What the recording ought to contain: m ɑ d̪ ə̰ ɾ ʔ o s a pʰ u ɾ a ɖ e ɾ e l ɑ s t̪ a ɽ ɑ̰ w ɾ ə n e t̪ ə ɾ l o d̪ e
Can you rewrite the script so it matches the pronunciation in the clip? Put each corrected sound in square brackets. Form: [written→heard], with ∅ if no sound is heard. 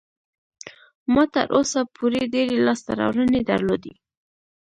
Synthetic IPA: m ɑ [d̪→t̪] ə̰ ɾ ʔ o s a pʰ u ɾ [a→e] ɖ e ɾ e l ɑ s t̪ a [ɽ→ɾ] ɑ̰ w ɾ ə n e [t̪→d̪] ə ɾ l o d̪ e